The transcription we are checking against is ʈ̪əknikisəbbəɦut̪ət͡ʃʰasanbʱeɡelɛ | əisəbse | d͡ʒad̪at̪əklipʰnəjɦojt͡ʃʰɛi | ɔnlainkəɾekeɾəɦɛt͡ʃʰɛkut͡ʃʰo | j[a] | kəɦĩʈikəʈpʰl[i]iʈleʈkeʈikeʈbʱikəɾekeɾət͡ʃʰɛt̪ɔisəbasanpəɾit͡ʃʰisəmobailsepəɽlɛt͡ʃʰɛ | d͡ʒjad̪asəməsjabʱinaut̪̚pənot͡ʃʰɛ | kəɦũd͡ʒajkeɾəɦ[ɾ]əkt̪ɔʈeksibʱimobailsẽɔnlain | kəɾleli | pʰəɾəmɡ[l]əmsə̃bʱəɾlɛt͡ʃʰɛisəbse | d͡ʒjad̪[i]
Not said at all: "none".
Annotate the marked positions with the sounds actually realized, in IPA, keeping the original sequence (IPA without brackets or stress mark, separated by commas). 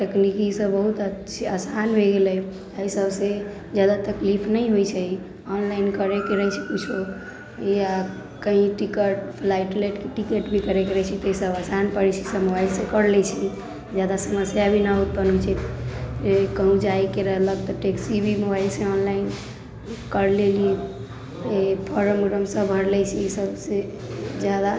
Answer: a, a, l, ɾ, a